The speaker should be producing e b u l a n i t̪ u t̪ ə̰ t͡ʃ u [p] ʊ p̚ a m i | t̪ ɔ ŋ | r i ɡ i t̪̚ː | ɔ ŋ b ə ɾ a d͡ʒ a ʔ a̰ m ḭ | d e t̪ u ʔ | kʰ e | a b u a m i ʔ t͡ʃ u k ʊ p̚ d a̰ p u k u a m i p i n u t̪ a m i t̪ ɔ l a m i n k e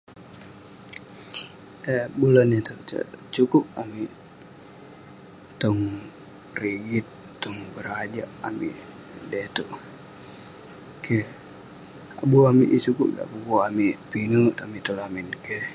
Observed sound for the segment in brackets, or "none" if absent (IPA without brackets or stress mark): k